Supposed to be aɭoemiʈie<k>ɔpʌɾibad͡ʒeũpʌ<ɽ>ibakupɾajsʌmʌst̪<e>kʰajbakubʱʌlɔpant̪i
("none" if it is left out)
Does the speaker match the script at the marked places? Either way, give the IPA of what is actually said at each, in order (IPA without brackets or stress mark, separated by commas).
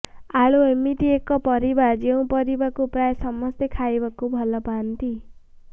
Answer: k, ɾ, e